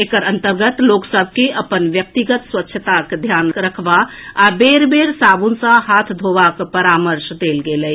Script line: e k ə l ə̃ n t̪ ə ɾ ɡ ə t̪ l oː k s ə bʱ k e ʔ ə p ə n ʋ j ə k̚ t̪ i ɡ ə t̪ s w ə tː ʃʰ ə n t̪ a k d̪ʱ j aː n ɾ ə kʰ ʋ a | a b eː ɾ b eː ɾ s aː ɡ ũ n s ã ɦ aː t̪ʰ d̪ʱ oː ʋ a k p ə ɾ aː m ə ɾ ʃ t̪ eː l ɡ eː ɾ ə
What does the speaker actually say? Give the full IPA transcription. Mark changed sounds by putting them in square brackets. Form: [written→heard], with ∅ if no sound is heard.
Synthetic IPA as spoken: e k ə [l→ɾ] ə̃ n t̪ ə ɾ ɡ ə t̪ l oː k s ə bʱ k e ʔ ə p ə n ʋ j ə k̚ t̪ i ɡ ə t̪ s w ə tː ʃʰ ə [n→∅] t̪ a k d̪ʱ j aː n ɾ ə kʰ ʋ a | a b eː ɾ b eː ɾ s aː [ɡ→b] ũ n s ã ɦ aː t̪ʰ d̪ʱ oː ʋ a k p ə ɾ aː m ə ɾ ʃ [t̪→d̪] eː l ɡ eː [ɾ→l] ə